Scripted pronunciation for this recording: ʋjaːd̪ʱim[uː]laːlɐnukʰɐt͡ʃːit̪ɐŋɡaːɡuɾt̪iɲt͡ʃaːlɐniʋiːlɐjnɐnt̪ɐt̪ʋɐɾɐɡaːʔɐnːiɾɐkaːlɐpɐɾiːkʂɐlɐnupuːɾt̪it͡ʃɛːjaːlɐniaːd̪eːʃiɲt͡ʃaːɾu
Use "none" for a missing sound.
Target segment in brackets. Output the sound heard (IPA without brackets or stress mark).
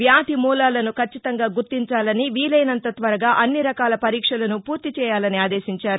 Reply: uː